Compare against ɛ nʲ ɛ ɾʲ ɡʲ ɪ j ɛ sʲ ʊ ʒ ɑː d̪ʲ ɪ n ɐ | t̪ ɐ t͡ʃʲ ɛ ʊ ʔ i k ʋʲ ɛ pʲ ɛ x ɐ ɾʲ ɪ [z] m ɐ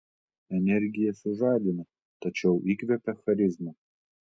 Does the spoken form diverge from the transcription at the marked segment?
no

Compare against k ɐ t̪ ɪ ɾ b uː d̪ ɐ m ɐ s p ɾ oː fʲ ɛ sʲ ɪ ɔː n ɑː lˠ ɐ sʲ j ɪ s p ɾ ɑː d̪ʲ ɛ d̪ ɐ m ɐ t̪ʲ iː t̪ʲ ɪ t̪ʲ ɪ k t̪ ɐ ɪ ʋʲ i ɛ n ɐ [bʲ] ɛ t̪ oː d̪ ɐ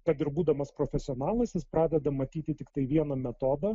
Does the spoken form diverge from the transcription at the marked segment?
yes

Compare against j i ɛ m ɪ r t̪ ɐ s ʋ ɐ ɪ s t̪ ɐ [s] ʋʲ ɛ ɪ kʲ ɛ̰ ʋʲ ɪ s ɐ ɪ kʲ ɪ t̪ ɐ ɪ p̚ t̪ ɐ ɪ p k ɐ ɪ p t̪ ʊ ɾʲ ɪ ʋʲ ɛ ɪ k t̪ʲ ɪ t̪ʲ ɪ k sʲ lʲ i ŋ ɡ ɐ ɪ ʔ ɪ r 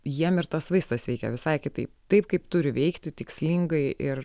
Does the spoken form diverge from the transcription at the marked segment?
no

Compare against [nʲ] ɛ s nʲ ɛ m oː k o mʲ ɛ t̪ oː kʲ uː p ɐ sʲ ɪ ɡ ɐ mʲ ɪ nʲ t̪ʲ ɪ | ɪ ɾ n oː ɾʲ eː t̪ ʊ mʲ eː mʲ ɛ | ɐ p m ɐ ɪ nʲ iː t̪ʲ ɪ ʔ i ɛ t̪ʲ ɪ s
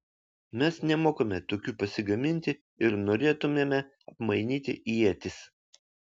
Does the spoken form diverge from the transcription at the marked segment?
yes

